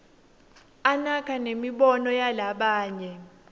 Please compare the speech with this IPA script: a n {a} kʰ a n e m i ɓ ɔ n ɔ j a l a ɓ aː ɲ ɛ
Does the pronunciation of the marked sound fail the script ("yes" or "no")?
no